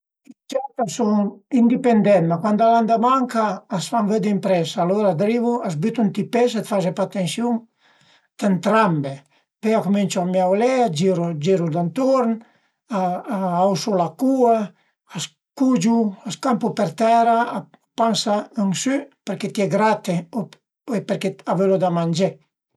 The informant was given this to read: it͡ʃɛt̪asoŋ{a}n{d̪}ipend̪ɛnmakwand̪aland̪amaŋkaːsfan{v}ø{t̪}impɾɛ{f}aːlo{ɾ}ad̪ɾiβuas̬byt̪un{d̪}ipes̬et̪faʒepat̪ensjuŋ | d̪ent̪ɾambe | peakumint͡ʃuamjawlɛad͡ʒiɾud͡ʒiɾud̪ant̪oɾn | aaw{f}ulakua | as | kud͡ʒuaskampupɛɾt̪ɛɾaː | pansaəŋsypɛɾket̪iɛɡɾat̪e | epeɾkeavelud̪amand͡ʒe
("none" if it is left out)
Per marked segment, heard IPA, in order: i, d̪, v, d̪, s, ɾ, t̪, s

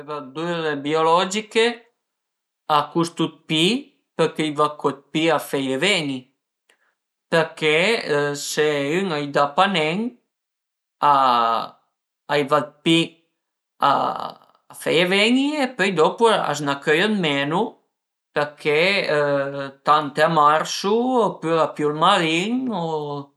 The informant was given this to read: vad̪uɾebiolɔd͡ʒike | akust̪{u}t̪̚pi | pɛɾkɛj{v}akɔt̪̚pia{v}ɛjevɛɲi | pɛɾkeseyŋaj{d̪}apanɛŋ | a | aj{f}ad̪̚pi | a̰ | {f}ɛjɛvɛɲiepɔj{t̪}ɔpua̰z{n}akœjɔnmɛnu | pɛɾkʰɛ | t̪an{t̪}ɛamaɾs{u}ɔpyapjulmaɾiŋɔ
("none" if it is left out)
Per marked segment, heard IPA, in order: u, v, f, d̪, v, f, d̪, n, t̪, u

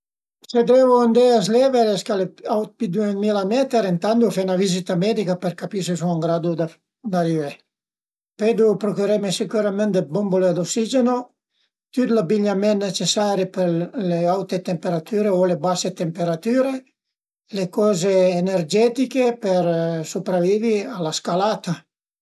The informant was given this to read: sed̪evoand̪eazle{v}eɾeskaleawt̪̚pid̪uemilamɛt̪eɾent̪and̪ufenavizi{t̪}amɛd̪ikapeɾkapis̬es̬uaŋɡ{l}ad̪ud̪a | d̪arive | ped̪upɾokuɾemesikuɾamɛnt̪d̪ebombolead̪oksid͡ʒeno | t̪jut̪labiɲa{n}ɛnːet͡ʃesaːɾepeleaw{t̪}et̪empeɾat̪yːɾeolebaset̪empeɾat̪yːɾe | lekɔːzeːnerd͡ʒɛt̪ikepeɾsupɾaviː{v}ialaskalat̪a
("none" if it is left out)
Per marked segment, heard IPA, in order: v, t̪, ɾ, m, t̪, v

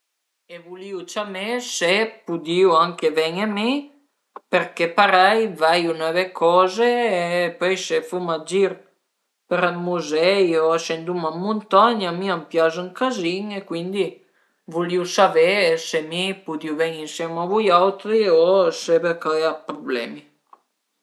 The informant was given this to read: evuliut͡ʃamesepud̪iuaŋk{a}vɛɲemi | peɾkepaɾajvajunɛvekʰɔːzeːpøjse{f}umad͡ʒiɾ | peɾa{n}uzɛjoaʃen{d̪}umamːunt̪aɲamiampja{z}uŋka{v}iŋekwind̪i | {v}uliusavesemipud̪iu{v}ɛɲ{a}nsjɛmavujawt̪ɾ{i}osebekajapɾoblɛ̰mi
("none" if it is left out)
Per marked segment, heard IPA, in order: e, f, m, d̪, z, z, v, v, i, i

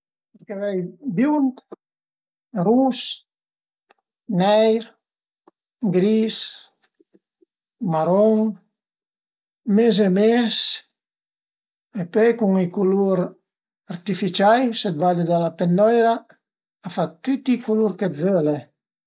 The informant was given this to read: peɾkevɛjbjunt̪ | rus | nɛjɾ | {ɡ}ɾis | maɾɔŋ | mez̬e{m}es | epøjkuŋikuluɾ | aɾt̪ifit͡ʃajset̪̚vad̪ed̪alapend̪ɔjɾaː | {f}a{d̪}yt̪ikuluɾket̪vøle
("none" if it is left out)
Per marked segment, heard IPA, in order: ɡ, m, f, t̪

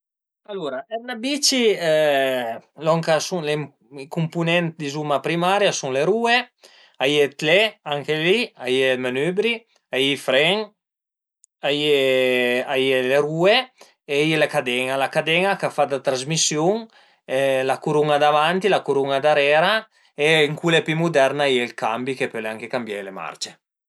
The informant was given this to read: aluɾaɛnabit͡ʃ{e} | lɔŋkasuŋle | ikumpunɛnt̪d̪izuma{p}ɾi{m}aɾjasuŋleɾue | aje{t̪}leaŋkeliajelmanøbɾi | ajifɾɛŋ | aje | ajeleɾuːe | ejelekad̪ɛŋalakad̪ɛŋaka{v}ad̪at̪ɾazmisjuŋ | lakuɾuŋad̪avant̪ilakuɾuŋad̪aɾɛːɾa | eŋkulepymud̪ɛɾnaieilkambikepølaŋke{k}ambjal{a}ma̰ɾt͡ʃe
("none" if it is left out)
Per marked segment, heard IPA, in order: i, p, m, t̪, f, k, e

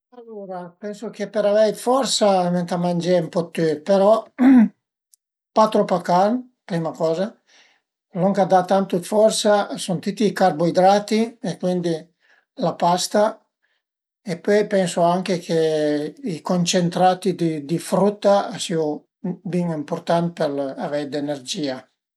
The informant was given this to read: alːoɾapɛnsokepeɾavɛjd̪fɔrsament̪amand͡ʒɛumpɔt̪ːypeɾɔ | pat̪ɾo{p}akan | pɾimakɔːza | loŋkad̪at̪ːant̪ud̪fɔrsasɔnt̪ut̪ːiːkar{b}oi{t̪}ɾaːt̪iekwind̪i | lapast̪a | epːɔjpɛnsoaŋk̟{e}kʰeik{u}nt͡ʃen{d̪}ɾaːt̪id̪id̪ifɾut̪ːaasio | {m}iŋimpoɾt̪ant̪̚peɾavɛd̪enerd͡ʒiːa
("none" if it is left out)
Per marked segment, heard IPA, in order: p, b, d̪, e, o, t̪, b

